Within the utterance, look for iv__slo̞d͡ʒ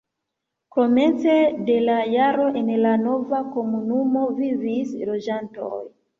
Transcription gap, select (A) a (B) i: B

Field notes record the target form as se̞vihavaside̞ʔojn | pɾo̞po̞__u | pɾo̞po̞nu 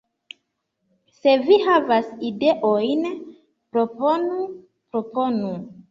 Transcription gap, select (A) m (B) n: B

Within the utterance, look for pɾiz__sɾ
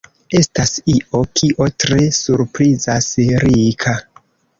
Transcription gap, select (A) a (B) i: A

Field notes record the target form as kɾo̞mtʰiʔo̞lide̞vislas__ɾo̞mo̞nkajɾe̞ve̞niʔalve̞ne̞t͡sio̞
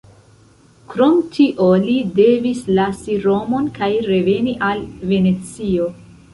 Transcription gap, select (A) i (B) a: A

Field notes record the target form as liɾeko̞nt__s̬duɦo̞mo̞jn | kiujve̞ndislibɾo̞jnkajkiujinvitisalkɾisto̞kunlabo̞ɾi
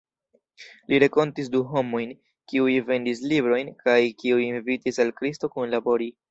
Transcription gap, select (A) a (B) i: B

